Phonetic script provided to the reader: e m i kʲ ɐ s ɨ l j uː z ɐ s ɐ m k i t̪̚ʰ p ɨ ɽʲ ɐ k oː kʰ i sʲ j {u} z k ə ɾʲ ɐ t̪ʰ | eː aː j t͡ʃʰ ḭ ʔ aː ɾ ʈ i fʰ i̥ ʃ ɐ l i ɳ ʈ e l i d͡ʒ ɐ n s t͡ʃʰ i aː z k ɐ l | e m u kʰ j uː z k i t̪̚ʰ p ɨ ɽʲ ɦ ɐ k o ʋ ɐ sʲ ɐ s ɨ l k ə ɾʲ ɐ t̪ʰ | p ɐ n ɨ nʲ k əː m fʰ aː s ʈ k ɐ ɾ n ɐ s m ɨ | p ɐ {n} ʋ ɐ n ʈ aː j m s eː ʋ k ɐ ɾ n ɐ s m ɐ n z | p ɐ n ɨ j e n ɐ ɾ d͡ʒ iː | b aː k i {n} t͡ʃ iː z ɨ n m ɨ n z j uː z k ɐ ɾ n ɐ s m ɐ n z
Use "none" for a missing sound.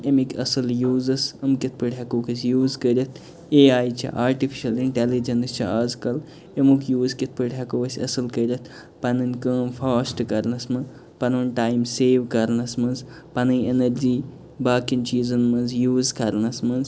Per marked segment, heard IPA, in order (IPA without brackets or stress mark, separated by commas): uː, n, n